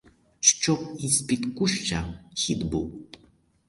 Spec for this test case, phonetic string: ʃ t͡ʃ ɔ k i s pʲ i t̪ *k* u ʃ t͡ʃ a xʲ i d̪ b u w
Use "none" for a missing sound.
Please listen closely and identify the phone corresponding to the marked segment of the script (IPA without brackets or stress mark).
k